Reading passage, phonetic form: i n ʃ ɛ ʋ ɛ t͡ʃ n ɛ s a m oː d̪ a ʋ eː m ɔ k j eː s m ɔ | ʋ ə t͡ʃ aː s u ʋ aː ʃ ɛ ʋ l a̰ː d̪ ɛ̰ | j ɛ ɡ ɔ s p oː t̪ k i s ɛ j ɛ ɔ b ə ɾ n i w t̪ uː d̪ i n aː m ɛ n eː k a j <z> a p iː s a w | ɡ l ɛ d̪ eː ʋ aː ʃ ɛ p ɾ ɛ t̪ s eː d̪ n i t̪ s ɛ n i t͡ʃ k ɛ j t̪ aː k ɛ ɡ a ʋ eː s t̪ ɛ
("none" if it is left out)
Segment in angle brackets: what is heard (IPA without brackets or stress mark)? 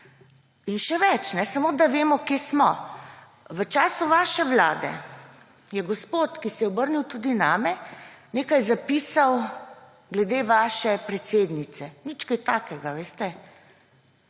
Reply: z